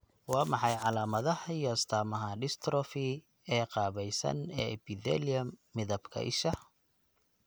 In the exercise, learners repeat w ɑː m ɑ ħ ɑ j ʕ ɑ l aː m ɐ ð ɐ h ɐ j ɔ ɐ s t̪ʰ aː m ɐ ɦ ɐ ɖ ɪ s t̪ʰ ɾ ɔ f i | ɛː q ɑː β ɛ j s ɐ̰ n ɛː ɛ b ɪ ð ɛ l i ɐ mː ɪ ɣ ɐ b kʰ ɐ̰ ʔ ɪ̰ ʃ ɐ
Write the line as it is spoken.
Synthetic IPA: w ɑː m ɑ ħ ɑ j ʕ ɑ l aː m ɐ ð ɐ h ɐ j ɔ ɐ s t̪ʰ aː m ɐ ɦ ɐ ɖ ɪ s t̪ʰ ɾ ɔ f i | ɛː q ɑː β ɛ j s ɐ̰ n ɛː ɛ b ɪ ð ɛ l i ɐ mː ɪ ð ɐ b kʰ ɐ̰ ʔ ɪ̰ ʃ ɐ